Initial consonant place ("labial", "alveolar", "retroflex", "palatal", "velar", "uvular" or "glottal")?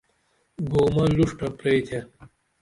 velar